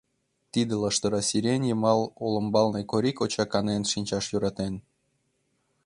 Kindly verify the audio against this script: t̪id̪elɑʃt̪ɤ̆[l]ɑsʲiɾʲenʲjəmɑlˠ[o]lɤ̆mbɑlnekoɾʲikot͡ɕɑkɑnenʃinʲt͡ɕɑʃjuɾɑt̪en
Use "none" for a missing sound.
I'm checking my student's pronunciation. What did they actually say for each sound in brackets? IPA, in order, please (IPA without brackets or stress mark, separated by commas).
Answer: ɾ, o